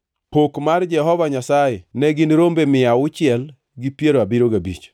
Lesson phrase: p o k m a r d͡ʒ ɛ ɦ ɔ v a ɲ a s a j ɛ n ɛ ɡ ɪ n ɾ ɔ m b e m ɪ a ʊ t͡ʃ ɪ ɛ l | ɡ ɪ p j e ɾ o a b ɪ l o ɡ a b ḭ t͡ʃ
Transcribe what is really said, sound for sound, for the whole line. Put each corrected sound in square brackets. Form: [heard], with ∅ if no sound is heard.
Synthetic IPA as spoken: p o k m a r d͡ʒ ɛ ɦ ɔ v a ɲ a s a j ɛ n ɛ ɡ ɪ n ɾ [o] m b e m ɪ a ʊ t͡ʃ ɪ ɛ l | ɡ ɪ p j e ɾ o a b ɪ [ɾ] o ɡ a b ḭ t͡ʃ